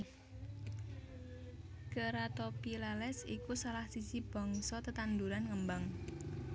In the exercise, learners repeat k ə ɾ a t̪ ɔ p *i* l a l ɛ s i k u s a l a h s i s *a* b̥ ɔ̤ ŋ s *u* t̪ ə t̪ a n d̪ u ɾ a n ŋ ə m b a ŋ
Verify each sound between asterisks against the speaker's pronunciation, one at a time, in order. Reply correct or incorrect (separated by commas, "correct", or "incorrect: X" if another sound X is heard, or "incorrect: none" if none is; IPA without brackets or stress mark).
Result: correct, incorrect: i, incorrect: ɔ